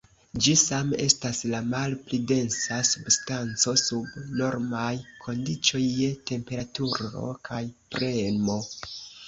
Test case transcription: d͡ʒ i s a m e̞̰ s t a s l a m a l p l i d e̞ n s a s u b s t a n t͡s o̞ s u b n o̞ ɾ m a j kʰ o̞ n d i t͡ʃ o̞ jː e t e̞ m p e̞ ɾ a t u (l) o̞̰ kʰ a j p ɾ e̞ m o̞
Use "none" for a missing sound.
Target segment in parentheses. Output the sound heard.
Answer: ɾ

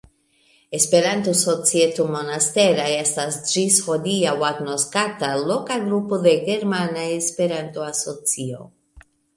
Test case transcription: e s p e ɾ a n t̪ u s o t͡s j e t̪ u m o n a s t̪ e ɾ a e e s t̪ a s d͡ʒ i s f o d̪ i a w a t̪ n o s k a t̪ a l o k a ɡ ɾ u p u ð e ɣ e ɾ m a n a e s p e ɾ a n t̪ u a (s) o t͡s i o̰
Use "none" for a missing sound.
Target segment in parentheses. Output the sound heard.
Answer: s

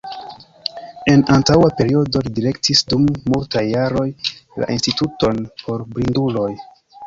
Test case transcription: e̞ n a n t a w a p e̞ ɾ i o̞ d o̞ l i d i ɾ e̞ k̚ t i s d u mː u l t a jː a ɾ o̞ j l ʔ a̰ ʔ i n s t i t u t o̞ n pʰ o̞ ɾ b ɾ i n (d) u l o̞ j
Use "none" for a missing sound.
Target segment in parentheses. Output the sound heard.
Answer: d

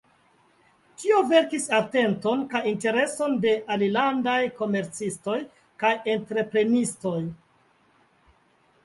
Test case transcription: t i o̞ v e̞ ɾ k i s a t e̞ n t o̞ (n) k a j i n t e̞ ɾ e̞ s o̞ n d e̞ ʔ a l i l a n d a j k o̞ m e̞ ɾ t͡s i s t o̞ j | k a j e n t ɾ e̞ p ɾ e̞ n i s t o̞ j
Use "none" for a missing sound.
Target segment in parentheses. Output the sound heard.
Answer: n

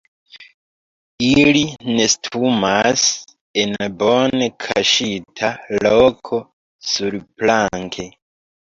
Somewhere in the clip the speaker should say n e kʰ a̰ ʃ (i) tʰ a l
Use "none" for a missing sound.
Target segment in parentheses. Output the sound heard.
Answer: i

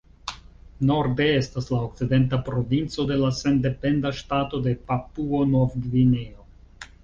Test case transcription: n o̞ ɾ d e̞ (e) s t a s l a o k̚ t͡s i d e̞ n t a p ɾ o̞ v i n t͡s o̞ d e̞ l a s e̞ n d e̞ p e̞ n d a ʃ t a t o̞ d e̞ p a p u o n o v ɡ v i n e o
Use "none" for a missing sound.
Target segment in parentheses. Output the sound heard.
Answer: e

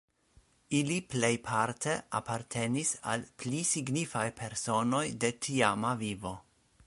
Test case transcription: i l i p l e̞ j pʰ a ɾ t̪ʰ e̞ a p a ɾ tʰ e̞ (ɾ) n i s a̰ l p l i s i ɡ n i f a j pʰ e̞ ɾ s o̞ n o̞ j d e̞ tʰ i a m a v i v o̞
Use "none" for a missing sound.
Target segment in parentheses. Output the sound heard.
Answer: none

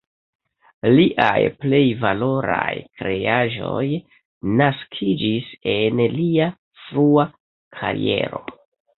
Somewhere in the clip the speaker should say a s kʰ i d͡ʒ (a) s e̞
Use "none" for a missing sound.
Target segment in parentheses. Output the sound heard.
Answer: i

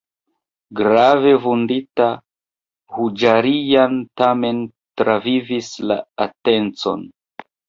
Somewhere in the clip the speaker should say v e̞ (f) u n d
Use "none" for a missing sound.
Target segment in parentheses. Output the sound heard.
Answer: v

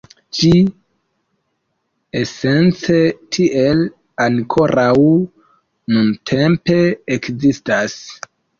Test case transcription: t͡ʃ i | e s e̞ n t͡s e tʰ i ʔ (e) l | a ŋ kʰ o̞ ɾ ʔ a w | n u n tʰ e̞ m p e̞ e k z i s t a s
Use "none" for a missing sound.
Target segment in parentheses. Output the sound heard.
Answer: e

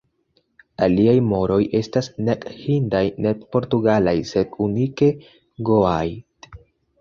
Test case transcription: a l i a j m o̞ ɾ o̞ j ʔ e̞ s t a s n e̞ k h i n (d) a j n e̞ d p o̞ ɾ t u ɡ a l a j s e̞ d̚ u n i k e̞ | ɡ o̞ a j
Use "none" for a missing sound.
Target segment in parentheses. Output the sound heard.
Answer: d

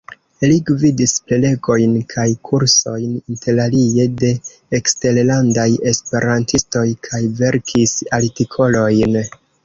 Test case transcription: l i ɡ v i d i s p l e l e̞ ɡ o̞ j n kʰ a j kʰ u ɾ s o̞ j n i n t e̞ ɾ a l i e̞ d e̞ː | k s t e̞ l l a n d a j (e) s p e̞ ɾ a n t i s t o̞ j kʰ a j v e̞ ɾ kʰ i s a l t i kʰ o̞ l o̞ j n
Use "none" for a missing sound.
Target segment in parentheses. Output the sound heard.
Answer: e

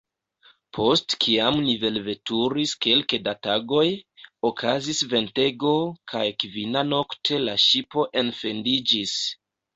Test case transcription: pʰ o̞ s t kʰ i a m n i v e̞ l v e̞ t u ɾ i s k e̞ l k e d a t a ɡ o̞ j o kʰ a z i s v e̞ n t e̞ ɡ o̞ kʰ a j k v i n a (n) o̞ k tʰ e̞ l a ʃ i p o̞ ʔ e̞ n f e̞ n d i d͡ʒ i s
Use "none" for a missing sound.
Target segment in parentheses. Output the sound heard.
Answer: n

